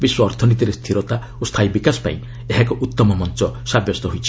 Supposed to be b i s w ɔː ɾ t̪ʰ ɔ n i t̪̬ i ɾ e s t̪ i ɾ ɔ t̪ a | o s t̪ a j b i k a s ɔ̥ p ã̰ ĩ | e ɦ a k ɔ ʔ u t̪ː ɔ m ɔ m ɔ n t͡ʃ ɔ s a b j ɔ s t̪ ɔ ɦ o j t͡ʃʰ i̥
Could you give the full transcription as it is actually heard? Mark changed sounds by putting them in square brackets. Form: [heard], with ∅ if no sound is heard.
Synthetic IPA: b i s w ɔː ɾ t̪ʰ ɔ n i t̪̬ i ɾ e s [t̪ʰ] i ɾ ɔ t̪ a | o s [t̪ʰ] a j b i k a s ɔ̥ p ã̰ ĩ | e ɦ a k ɔ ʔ u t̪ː ɔ m ɔ m ɔ n t͡ʃ ɔ s a b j ɔ s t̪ ɔ ɦ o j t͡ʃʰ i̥